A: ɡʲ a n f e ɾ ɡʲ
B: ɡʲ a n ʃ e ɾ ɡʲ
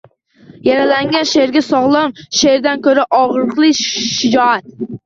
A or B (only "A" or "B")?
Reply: B